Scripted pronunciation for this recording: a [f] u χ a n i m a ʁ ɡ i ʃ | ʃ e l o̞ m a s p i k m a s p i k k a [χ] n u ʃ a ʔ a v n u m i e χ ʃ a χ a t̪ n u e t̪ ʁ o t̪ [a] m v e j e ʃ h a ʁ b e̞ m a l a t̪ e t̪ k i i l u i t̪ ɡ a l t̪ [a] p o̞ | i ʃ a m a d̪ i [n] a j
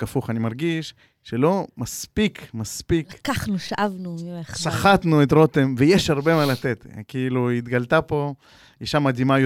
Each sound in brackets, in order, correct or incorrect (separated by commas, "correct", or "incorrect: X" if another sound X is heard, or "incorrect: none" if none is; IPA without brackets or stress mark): correct, correct, incorrect: e, correct, incorrect: m